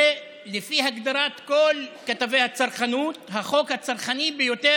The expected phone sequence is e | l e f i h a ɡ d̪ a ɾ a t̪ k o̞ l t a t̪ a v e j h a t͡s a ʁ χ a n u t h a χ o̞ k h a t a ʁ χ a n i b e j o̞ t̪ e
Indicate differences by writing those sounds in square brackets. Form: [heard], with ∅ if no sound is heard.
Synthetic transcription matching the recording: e | l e f i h a ɡ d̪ a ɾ a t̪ k o̞ l [k] a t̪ a v e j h a t͡s a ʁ χ a n u t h a χ o̞ k h a [t͡s] a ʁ χ a n i b e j o̞ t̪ e